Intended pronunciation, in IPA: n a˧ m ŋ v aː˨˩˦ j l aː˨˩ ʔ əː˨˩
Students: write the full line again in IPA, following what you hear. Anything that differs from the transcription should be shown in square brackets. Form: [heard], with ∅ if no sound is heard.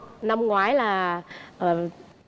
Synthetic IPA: n a˧ m ŋ [w] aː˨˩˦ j l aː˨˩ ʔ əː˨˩